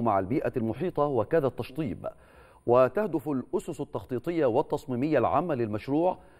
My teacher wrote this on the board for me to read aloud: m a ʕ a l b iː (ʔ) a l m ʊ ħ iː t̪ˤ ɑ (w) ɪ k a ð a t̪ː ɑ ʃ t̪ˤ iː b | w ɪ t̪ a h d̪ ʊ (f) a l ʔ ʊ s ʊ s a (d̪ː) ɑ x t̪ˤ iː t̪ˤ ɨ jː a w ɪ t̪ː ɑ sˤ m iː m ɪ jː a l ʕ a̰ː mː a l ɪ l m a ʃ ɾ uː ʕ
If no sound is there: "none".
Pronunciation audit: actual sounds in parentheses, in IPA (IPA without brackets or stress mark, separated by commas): ʔ, w, f, t̪ː